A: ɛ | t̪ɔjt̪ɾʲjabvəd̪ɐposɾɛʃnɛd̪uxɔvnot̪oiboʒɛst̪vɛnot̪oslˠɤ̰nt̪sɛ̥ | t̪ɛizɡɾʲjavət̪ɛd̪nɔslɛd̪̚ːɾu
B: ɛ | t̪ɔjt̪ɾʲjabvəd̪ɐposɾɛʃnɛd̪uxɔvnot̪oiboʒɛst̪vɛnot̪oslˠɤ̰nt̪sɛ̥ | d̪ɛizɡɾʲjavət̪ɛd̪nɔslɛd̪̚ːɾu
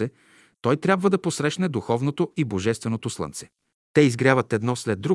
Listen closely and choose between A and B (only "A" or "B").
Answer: A